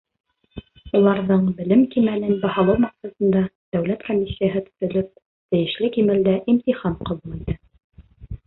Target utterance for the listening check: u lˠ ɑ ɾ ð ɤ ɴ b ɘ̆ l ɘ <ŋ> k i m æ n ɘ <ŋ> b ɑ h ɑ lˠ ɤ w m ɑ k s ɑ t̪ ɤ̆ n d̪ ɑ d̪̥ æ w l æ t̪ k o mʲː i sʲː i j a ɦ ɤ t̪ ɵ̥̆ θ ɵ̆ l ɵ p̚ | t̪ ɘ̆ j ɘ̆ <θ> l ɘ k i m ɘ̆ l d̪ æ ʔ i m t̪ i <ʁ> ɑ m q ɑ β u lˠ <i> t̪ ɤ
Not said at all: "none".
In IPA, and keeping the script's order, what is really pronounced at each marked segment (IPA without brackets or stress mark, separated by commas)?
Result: m, n, ʃ, χ, i